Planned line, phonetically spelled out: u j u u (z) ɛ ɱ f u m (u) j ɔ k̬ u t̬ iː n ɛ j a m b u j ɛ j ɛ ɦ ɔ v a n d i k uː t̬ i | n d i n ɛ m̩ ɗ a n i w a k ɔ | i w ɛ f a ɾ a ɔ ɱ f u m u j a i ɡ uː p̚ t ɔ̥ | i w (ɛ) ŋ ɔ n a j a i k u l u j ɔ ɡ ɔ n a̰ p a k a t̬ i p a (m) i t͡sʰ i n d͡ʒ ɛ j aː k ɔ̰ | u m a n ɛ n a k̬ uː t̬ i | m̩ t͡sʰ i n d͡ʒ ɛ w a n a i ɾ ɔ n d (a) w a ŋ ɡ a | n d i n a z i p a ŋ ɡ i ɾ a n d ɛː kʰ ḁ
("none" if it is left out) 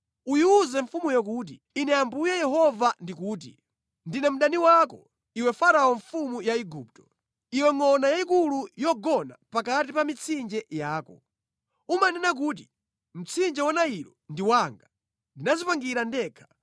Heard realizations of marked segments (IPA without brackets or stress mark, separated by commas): z, u, ɛ, m, i